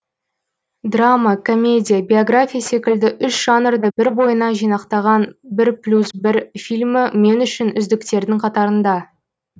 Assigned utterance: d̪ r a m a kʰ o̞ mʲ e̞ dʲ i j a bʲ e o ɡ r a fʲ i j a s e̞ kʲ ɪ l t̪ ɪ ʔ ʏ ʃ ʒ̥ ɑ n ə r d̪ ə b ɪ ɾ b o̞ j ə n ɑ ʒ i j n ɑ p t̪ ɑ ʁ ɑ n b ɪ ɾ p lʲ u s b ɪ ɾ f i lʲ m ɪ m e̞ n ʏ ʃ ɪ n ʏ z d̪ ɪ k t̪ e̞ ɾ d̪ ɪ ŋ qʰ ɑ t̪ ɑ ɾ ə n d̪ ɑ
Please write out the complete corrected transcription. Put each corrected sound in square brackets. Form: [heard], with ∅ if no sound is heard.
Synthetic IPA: d̪ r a m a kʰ o̞ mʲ e̞ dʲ i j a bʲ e o ɡ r a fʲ i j a s e̞ kʲ ɪ l [d̪] ɪ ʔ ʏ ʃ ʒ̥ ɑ n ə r d̪ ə b ɪ ɾ b o̞ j ə n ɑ ʒ i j n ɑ [q] t̪ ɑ ʁ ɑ n b ɪ ɾ p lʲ u s b ɪ ɾ f i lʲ m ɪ m e̞ n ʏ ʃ ɪ n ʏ z d̪ ɪ k t̪ e̞ ɾ d̪ ɪ ŋ qʰ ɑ t̪ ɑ ɾ ə n d̪ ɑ